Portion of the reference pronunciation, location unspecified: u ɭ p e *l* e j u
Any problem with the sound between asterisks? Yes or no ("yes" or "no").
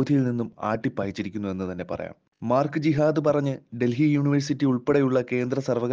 yes